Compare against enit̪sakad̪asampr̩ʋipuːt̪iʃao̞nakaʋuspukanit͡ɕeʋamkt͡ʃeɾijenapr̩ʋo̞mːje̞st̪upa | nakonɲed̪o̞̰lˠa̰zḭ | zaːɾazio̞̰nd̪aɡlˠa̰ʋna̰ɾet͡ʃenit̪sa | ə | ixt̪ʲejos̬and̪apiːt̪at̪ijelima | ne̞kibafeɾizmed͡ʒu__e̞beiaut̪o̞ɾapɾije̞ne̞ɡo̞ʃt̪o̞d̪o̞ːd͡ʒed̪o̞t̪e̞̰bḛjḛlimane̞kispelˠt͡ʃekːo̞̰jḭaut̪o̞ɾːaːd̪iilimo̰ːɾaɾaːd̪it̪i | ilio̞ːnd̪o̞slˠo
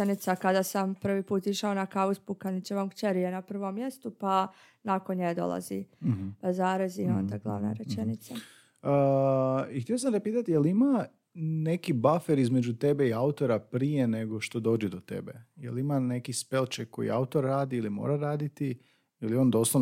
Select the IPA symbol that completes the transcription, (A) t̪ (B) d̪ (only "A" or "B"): A